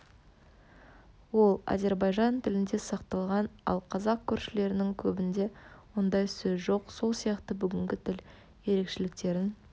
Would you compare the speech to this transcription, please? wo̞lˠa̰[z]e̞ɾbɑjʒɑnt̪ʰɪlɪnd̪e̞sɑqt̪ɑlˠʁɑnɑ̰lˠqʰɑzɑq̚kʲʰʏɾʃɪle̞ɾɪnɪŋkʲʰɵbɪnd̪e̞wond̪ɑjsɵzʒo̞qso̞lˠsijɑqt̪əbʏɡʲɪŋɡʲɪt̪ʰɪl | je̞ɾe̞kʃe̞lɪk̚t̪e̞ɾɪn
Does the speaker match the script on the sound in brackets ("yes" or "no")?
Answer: yes